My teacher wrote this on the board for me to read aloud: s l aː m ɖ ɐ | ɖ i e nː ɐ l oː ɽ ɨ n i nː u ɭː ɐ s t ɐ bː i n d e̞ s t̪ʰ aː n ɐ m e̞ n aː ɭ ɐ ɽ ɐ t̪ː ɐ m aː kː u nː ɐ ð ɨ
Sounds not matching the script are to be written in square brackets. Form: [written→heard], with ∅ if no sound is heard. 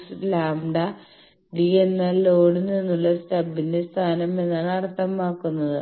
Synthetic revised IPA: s l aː m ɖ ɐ | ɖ i e nː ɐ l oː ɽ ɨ n i nː u ɭː ɐ s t ɐ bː i n d e̞ s t̪ʰ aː n ɐ m e̞ [n→nː] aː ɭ ɐ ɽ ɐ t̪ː ɐ m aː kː u nː ɐ ð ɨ